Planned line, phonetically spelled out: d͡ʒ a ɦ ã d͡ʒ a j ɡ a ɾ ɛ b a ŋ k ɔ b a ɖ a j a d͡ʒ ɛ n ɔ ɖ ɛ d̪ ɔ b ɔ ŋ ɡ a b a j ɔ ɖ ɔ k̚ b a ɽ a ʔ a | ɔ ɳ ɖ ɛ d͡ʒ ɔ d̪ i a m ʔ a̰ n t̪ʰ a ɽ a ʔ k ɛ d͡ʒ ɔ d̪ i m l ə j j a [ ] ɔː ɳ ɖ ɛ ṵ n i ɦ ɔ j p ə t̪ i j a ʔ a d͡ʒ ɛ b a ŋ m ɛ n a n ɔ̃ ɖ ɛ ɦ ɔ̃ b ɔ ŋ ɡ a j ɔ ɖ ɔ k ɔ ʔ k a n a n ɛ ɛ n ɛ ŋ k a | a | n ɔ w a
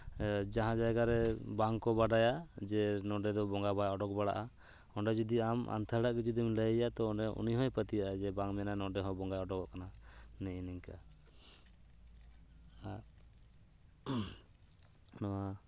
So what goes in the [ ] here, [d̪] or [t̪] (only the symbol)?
t̪